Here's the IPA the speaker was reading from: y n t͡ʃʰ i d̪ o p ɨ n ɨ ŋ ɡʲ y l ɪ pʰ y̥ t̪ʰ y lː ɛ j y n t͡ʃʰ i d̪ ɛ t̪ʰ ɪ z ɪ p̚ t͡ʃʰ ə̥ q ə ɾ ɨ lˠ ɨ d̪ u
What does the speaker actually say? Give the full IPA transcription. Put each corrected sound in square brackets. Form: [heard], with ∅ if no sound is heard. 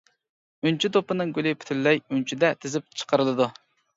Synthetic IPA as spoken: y n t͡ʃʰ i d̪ o p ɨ n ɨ ŋ ɡʲ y l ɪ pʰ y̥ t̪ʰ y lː ɛ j y n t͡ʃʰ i d̪ ɛ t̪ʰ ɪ z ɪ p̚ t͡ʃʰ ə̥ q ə ɾ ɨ lˠ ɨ d̪ u